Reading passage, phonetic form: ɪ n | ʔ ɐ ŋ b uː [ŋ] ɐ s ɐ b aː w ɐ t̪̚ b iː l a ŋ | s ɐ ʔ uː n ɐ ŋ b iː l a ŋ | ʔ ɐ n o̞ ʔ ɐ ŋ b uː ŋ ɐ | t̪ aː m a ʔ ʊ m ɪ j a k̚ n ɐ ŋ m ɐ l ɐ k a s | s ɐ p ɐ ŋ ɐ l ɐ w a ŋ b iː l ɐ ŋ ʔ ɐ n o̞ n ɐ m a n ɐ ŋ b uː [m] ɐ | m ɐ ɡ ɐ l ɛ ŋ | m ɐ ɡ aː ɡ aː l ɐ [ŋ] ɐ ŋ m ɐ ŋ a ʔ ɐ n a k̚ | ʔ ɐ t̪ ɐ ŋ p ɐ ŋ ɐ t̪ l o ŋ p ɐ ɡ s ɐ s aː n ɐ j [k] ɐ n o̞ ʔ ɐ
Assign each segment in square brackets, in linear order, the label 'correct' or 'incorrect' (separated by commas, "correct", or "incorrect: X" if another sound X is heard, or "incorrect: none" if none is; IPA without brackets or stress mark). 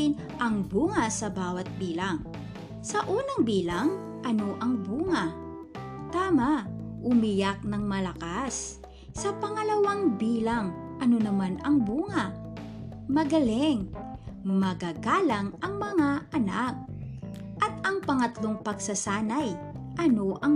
correct, incorrect: ŋ, correct, incorrect: ʔ